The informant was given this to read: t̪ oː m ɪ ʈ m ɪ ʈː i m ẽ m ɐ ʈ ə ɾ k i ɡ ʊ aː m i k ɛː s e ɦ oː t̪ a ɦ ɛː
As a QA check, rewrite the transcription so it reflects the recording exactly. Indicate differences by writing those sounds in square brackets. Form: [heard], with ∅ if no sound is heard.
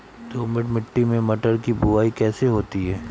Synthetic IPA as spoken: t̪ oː m ɪ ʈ m ɪ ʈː i m ẽ m ɐ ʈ ə ɾ k i [b] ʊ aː [∅] i k ɛː s e ɦ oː t̪ [i] ɦ ɛː